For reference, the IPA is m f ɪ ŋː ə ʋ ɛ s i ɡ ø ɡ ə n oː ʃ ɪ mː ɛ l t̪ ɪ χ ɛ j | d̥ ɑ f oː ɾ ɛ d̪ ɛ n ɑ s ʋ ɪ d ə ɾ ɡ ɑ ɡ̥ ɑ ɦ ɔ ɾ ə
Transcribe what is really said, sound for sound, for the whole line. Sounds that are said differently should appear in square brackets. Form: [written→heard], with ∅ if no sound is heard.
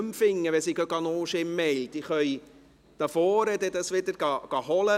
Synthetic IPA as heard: m f ɪ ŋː ə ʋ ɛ s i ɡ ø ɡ [ə→ɑ] n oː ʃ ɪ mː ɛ l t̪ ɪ χ [ɛ→œ] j | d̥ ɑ f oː ɾ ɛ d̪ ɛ [n→d] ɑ s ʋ ɪ d ə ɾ ɡ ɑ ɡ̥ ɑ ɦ ɔ [ɾ→l] ə